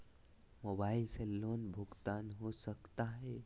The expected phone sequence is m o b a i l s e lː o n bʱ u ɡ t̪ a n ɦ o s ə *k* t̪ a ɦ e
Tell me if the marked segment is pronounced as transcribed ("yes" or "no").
yes